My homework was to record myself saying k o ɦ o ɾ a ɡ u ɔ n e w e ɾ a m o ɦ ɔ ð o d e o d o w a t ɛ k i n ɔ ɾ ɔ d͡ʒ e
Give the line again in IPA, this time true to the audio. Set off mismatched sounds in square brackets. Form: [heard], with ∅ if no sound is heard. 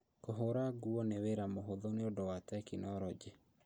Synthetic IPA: k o ɦ o ɾ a ɡ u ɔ n e w e ɾ a m o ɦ [o] ð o [n] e o d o w a t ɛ k i n ɔ ɾ ɔ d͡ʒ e